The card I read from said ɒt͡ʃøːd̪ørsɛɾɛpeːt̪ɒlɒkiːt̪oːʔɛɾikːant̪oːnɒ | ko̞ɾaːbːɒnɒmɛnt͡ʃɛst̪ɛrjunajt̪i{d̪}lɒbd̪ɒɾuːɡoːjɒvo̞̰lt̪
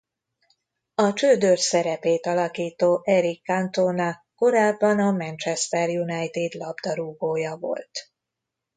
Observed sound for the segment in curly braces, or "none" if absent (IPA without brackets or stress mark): d̪